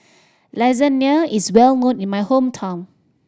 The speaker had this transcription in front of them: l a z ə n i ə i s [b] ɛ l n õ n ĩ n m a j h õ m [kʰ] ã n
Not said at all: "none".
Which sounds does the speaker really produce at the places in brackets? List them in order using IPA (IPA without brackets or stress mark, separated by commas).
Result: w, tʰ